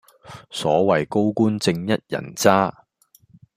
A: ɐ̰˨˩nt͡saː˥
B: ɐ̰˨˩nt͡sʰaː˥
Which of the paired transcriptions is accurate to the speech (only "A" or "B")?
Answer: A